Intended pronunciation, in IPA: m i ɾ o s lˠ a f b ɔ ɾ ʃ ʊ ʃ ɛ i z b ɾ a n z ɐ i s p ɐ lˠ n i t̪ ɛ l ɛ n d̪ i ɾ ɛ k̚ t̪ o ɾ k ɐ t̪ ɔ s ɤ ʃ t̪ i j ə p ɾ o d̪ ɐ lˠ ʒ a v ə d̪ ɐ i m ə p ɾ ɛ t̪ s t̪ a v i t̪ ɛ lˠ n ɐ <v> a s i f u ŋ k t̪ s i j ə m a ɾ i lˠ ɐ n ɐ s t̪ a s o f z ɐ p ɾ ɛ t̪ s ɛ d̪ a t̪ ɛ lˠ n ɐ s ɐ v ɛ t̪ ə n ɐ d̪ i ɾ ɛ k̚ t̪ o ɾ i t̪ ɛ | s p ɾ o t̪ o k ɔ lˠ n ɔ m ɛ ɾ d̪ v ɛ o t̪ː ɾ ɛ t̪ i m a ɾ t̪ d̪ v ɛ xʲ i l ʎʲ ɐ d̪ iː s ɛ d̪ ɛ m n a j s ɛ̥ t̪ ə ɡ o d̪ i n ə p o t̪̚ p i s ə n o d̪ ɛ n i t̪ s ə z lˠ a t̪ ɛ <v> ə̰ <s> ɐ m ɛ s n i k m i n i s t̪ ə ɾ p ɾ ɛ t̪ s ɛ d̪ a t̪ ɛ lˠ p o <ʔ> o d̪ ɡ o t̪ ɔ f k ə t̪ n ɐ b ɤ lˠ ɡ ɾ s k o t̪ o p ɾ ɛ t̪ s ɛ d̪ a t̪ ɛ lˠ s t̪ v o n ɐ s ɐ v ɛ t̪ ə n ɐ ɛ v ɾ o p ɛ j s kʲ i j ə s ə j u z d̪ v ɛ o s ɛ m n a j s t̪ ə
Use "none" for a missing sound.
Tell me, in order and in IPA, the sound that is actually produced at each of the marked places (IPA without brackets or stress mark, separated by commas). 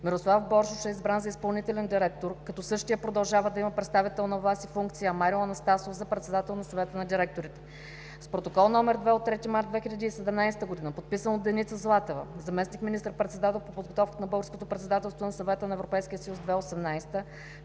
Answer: v, v, z, p